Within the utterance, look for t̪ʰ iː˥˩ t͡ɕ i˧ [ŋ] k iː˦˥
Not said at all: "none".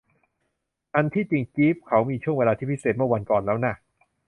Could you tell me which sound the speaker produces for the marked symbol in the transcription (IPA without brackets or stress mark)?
ŋ